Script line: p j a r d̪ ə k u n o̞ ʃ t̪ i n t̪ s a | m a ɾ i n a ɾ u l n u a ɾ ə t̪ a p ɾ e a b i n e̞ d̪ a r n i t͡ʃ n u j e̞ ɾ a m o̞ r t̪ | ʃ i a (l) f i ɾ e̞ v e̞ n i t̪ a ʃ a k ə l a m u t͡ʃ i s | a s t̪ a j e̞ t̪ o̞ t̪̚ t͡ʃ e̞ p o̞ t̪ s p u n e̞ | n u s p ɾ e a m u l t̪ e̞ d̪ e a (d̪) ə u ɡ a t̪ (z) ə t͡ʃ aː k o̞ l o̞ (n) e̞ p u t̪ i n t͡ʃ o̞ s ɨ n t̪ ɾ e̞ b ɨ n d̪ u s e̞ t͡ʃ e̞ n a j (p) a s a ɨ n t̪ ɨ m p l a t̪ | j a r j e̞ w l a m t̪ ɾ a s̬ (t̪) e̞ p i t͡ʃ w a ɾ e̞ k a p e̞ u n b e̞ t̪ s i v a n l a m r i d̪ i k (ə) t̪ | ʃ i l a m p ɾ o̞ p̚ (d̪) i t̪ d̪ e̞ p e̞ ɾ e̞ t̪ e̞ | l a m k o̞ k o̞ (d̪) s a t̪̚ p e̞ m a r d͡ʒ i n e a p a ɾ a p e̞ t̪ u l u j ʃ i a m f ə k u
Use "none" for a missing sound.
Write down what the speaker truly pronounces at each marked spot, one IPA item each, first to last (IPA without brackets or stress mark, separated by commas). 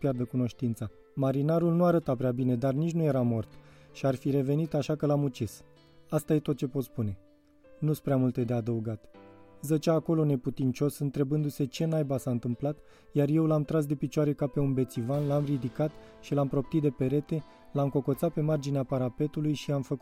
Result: r, d̪, z, n, b, d̪, a, t̪, t̪